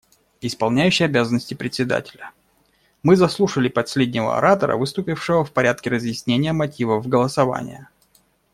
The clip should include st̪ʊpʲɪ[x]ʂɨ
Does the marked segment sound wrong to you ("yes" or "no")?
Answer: yes